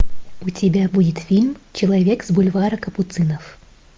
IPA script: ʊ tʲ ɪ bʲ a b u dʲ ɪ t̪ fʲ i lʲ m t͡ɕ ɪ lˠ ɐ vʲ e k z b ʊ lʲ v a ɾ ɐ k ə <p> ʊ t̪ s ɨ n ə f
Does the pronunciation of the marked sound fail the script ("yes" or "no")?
no